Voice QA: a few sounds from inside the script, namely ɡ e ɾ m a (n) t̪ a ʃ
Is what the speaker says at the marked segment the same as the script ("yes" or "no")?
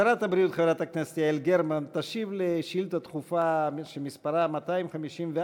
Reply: yes